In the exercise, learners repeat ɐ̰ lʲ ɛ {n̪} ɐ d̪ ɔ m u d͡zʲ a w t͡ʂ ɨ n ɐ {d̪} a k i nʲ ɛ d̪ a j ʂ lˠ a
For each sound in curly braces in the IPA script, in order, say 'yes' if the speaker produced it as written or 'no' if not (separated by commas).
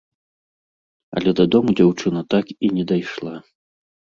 no, no